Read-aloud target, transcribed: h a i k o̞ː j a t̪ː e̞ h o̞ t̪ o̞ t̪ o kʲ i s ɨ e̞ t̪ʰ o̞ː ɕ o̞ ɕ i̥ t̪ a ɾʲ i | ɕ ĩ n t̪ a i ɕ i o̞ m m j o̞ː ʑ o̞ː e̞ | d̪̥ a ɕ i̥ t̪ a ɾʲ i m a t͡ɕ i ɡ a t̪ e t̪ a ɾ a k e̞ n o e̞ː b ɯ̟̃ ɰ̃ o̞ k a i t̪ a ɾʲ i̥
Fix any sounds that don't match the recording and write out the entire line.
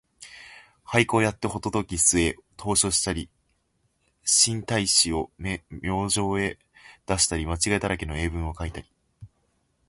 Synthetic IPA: h a i k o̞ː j a t̪ː e̞ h o̞ t̪ o̞ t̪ o kʲ i s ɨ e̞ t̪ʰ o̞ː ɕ o̞ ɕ i̥ t̪ a ɾʲ i | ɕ ĩ n t̪ a i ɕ i o̞ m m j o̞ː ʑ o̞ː e̞ | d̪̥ a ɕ i̥ t̪ a ɾʲ i m a t͡ɕ i ɡ a e t̪ a ɾ a k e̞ n o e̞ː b ɯ̟̃ ɰ̃ o̞ k a i t̪ a ɾʲ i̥